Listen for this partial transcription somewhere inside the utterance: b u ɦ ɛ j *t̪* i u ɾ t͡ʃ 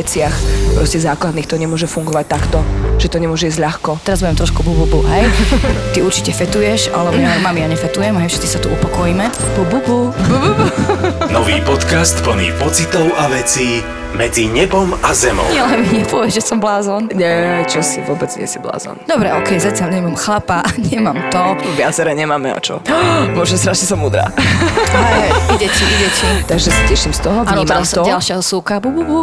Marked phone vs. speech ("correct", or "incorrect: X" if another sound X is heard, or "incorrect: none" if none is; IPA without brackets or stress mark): correct